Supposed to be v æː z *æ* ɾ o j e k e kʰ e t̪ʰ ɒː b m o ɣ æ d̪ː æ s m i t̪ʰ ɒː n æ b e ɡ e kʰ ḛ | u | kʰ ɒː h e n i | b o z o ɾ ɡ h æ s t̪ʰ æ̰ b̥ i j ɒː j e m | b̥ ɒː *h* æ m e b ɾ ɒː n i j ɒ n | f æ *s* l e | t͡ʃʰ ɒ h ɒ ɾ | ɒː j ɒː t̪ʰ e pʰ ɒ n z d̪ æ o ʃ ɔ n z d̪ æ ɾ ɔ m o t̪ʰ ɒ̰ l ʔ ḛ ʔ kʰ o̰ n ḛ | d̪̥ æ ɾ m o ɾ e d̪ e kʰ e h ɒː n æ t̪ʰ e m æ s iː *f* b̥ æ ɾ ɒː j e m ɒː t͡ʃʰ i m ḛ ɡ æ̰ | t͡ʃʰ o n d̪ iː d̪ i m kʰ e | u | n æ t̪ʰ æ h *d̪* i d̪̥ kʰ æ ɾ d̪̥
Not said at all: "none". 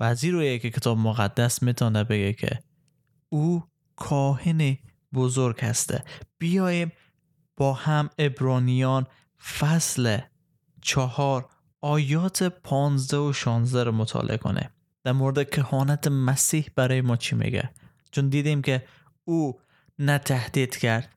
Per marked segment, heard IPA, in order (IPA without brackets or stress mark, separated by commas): i, h, s, h, d̪